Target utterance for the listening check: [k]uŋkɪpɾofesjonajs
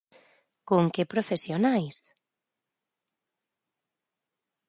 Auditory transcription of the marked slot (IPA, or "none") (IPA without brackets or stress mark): k